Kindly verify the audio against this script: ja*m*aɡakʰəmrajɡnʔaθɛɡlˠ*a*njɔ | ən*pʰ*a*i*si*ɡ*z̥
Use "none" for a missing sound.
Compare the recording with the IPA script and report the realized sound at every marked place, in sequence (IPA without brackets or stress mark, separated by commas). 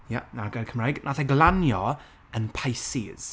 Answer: n, a, pʰ, j, none